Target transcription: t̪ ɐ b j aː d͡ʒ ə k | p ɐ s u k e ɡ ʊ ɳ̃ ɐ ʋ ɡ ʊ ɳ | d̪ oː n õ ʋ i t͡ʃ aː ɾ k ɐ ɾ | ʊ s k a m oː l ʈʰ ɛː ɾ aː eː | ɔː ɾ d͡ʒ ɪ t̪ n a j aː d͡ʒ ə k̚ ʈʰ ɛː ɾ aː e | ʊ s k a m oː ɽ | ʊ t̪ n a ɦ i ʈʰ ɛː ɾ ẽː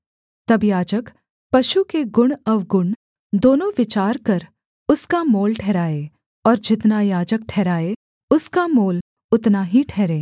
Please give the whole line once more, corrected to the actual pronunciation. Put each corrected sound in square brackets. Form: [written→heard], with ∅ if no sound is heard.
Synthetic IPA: t̪ ɐ b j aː d͡ʒ ə k | p ɐ [s→ʃ] u k e ɡ ʊ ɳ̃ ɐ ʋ ɡ ʊ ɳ | d̪ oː n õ ʋ [i→ɪ] t͡ʃ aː ɾ k ɐ ɾ | ʊ s k a m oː l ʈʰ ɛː ɾ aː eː | ɔː ɾ d͡ʒ ɪ t̪ n a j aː d͡ʒ ə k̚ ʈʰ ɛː ɾ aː e | ʊ s k a m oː [ɽ→l] | ʊ t̪ n a ɦ i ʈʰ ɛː ɾ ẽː